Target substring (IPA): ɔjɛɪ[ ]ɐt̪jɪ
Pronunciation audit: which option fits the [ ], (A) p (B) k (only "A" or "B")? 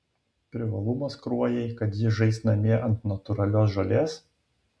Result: B